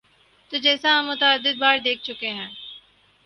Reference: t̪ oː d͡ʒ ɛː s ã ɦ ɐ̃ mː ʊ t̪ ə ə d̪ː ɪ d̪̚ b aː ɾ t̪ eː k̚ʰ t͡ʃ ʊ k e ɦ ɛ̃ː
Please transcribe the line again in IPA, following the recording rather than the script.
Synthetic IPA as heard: t̪ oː d͡ʒ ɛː s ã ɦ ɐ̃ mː ʊ t̪ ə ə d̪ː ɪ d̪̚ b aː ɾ d̪ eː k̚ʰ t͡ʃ ʊ k e ɦ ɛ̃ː